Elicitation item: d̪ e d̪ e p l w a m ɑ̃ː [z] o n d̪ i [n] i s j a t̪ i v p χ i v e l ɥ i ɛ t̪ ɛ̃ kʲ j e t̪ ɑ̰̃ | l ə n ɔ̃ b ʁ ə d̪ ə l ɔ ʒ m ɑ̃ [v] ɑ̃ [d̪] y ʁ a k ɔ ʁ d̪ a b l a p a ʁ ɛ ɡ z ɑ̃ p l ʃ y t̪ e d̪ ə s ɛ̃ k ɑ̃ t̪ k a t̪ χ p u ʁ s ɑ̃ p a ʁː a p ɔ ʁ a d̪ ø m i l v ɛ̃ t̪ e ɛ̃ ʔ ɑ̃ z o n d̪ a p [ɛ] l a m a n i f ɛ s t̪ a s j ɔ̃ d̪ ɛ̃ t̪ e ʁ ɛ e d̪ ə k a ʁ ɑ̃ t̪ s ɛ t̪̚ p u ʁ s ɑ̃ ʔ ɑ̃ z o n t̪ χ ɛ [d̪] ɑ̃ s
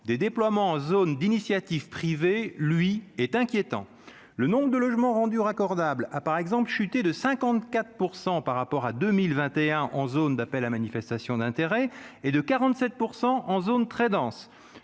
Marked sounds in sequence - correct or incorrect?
correct, correct, incorrect, correct, correct, correct

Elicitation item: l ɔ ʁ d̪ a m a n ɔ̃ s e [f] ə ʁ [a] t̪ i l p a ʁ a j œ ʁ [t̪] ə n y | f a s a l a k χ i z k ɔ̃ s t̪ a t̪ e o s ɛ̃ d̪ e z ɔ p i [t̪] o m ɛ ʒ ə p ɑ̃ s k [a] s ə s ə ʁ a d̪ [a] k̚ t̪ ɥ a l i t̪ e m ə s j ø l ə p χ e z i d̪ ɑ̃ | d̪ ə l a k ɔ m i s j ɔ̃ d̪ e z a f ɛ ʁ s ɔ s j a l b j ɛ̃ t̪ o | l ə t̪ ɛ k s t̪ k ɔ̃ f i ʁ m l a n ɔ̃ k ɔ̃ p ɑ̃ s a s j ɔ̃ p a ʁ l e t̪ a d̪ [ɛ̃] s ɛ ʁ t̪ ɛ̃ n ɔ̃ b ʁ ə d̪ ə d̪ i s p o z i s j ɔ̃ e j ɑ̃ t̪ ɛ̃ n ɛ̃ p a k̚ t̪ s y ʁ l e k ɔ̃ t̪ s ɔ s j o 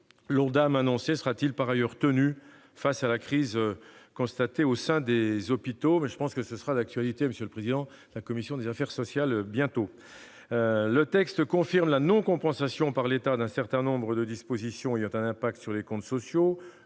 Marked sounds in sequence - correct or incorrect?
incorrect, correct, correct, correct, incorrect, correct, correct

